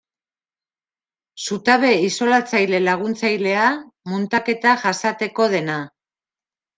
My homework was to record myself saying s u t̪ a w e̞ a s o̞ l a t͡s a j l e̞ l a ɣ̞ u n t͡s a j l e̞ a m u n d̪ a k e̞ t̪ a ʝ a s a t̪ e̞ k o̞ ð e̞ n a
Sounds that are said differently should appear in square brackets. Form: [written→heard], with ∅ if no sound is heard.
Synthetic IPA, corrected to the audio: s u t̪ a [w→β] e̞ [a→i] s o̞ l a t͡s a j l e̞ l a ɣ̞ u n t͡s a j l e̞ a m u n [d̪→t̪] a k e̞ t̪ a ʝ a s a t̪ e̞ k o̞ ð e̞ n a

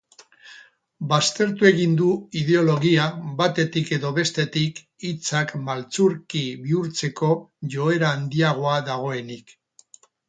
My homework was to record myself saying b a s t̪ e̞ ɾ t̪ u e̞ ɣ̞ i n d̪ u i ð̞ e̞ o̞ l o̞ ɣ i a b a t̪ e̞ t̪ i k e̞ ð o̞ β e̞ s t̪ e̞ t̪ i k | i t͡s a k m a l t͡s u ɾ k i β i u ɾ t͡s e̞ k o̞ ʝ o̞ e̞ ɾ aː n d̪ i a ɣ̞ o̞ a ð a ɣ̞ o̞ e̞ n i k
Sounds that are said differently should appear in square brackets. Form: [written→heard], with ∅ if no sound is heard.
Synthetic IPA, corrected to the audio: b a s t̪ e̞ ɾ t̪ u e̞ ɣ̞ i n d̪ u i ð̞ e̞ o̞ l o̞ ɣ i a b a t̪ e̞ t̪ i k e̞ ð o̞ β e̞ s t̪ e̞ t̪ i k | i t͡s a k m a l t͡s u ɾ k i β i u ɾ t͡s e̞ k o̞ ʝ o̞ e̞ ɾ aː n d̪ i a ɣ̞ o̞ a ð a ɣ̞ o̞ e̞ n i k

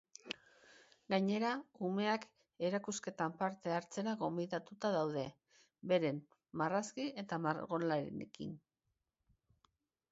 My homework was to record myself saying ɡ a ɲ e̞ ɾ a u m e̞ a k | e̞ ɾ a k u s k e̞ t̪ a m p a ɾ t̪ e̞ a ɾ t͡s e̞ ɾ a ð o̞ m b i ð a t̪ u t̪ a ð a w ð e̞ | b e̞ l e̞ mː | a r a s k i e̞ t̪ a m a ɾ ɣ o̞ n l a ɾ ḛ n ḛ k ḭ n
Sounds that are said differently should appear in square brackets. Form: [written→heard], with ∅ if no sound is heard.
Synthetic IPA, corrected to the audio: ɡ a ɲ e̞ ɾ a u m e̞ a k | e̞ ɾ a k u s k e̞ t̪ a m p a ɾ t̪ e̞ a ɾ t͡s e̞ ɾ a [ð→ɣ] o̞ m b i ð a t̪ u t̪ a ð a w ð e̞ | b e̞ [l→ɾ] e̞ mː | a r a s k i e̞ t̪ a m a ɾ ɣ o̞ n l a ɾ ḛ n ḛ k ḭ n

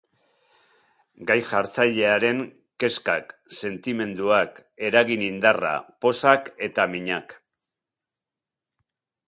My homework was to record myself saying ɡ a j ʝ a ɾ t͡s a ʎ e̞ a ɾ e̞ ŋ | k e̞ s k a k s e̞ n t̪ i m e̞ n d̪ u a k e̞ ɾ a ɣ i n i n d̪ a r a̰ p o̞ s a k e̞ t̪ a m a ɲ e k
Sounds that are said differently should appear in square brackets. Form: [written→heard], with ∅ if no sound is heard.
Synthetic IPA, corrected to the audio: ɡ a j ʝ a ɾ t͡s a ʎ e̞ a ɾ e̞ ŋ | k e̞ s k a k s e̞ n t̪ i m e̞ n d̪ u a k e̞ ɾ a ɣ i n i n d̪ a r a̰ p o̞ s a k e̞ t̪ a m [a→i] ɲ [e→a] k

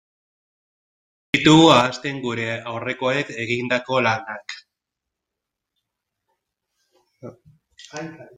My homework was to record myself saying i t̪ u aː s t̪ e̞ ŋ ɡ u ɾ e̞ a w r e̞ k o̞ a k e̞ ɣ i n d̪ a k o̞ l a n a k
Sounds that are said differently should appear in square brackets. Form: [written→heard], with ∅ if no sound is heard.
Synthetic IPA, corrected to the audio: i t̪ u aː s t̪ e̞ ŋ ɡ u ɾ e̞ a w r e̞ k o̞ [a→e] k e̞ ɣ i n d̪ a k o̞ l a n a k

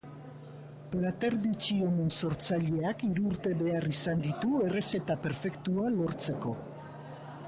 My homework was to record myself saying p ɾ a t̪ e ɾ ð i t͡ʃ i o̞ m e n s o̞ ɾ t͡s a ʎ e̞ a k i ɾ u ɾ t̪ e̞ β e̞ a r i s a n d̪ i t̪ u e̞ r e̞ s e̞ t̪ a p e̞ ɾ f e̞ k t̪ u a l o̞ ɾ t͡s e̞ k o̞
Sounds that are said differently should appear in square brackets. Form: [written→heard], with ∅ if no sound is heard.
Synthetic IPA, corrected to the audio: p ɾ a t̪ e ɾ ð i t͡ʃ i o̞ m e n s o̞ ɾ t͡s a ʎ e̞ a k i ɾ [u→uː] ɾ t̪ e̞ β e̞ a r i s a n d̪ i t̪ u e̞ r e̞ s e̞ t̪ a p e̞ ɾ f e̞ k t̪ u a l o̞ ɾ t͡s e̞ k o̞

